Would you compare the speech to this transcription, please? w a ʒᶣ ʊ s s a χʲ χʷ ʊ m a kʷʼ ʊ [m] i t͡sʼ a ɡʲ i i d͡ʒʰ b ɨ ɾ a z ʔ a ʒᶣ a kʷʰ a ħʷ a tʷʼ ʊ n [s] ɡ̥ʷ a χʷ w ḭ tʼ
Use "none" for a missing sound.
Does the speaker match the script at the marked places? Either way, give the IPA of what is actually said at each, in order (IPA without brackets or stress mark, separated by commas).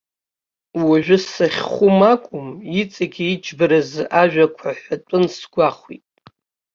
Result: m, s